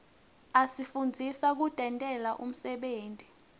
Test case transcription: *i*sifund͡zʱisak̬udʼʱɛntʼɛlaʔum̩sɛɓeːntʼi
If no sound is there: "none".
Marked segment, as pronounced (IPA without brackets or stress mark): a